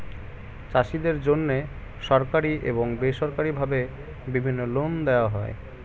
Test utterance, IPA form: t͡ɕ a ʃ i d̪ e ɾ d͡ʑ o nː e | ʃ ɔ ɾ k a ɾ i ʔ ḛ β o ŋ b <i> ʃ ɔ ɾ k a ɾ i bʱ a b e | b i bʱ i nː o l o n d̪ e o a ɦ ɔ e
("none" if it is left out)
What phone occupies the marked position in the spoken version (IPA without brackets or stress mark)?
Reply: e